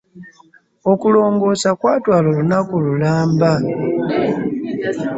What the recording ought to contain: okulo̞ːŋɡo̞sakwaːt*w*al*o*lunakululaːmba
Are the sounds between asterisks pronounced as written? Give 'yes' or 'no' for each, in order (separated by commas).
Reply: yes, yes